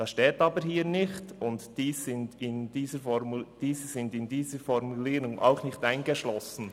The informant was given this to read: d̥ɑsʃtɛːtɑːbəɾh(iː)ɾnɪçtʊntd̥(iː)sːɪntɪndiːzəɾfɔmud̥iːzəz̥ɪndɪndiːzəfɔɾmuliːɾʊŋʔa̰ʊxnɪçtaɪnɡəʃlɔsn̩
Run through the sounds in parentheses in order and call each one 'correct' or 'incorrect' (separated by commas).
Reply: correct, correct